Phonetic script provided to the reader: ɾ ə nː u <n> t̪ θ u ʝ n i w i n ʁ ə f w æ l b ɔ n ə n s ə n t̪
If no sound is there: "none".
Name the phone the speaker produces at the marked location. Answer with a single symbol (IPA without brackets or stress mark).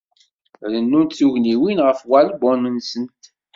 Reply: n